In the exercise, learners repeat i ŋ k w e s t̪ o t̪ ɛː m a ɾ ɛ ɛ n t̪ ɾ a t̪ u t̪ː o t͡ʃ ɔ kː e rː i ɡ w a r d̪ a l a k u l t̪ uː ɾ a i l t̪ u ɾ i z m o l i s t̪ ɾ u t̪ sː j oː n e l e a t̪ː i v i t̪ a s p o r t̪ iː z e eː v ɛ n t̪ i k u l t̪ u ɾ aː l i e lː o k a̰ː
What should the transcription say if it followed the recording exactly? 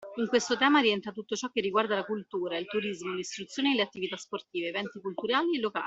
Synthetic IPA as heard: i ŋ k w e s t̪ o t̪ ɛː m a ɾ i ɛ n t̪ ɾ a t̪ u t̪ː o t͡ʃ ɔ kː e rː i ɡ w a r d̪ a l a k u l t̪ uː ɾ a i l t̪ u ɾ i z m o l i s t̪ ɾ u t̪ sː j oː n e l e a t̪ː i v i t̪ a s p o r t̪ iː v e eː v ɛ n t̪ i k u l t̪ u ɾ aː l i e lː o k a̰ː